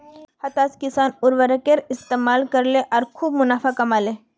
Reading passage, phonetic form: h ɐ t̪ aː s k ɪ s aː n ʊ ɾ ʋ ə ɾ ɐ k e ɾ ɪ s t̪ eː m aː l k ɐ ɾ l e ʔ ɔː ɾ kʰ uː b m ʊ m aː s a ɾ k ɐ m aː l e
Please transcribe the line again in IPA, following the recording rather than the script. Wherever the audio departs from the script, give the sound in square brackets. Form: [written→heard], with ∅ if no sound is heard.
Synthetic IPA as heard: h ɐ t̪ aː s k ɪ s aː n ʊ ɾ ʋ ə ɾ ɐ k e ɾ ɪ s t̪ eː m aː l k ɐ ɾ l e ʔ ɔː ɾ kʰ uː b m ʊ [m→n] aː [s→f] a [ɾ→∅] k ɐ m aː l e